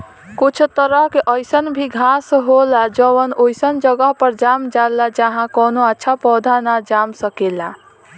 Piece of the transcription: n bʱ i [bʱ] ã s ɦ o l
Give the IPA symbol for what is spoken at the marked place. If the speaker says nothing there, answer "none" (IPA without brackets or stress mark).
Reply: ɡʱ